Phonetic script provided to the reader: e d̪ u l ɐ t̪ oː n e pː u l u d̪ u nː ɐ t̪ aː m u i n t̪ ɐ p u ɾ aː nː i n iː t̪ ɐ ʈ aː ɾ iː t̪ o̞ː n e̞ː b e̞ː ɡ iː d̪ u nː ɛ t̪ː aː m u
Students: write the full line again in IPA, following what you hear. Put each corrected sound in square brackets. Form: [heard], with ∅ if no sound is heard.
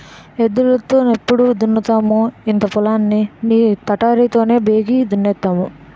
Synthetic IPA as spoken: e d̪ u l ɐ t̪ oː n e pː u [ɽ] u d̪ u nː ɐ t̪ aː m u i n t̪ ɐ p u [l] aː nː i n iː t̪ ɐ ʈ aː ɾ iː t̪ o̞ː n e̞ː b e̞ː ɡ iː d̪ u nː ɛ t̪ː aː m u